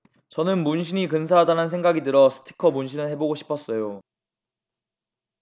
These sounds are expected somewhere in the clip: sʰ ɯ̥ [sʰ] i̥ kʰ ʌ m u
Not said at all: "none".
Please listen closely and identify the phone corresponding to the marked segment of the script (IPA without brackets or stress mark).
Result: tʰ